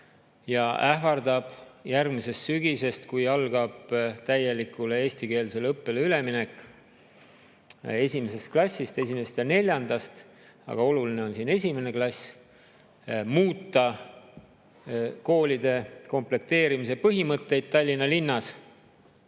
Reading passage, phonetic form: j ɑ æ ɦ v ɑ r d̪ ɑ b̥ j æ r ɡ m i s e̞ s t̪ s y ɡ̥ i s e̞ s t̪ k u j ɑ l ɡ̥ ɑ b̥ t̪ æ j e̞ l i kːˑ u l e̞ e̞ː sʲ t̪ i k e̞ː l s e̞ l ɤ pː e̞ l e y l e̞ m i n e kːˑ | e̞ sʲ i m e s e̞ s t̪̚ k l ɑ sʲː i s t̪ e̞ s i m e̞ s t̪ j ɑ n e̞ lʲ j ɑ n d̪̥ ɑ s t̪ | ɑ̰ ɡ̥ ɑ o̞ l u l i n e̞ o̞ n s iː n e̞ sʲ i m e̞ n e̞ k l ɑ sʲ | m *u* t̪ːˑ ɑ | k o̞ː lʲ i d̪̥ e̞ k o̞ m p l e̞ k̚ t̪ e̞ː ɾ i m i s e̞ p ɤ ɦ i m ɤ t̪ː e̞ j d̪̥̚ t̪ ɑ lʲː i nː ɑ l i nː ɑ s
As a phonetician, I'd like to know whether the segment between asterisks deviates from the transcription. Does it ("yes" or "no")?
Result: yes